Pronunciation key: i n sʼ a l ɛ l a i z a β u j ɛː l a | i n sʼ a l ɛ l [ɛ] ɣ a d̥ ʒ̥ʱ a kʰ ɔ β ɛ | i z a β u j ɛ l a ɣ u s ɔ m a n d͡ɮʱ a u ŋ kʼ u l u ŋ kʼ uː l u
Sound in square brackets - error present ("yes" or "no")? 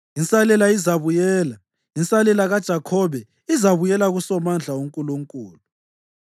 yes